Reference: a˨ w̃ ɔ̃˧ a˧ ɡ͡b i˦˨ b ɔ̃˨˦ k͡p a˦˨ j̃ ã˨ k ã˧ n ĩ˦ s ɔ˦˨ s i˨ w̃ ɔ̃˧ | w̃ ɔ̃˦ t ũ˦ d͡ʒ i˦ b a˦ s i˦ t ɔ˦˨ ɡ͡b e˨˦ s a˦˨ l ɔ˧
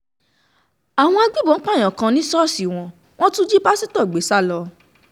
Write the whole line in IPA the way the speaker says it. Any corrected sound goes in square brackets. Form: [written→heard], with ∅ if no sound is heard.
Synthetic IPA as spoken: a˨ w̃ ɔ̃˧ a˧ ɡ͡b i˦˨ b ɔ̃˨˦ k͡p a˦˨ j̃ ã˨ k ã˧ n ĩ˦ s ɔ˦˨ s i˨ w̃ ɔ̃˧ | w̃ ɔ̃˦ t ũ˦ d͡ʒ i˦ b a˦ s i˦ t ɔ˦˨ ɡ͡b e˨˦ s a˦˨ l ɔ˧